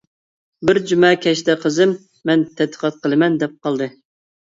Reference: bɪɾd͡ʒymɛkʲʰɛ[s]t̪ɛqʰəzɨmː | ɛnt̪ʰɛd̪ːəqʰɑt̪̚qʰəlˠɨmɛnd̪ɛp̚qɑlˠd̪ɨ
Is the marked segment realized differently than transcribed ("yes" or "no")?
yes